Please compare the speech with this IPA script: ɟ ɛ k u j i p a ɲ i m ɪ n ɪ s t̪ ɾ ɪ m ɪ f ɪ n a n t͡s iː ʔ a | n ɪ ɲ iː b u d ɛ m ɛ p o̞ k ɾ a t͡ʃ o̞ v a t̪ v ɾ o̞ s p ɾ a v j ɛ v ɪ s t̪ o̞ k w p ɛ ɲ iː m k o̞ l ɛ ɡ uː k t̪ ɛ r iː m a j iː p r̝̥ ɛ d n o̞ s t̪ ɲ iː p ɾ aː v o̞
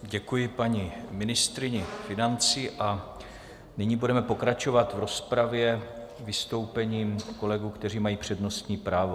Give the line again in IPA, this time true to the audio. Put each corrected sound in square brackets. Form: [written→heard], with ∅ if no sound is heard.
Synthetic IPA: ɟ ɛ k u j [i→ɪ] p a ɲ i m ɪ n ɪ s t̪ ɾ ɪ [m→ɲ] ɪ f ɪ n a n t͡s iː ʔ a | n ɪ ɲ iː b u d ɛ m ɛ p o̞ k ɾ a t͡ʃ o̞ v a t̪ v ɾ o̞ s p ɾ a v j ɛ v ɪ s t̪ o̞ [k→∅] w p ɛ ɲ iː m k o̞ l ɛ ɡ uː k t̪ ɛ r iː m a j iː p r̝̥ ɛ d n o̞ s t̪ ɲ iː p ɾ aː v o̞